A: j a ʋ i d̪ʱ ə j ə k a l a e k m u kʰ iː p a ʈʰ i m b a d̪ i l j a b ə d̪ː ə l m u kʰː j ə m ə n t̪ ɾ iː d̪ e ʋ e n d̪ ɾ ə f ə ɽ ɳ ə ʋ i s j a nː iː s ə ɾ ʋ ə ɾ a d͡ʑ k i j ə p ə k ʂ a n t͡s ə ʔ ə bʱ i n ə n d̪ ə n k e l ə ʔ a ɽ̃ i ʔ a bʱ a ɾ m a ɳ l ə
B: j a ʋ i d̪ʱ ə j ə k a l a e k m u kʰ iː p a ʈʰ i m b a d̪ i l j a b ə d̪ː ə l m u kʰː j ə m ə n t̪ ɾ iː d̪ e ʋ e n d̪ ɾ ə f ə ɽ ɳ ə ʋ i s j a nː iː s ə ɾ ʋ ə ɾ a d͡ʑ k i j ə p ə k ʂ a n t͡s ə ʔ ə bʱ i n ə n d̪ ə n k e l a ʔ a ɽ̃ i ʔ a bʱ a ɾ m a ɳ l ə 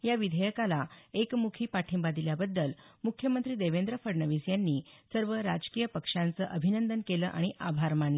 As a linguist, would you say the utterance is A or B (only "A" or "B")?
A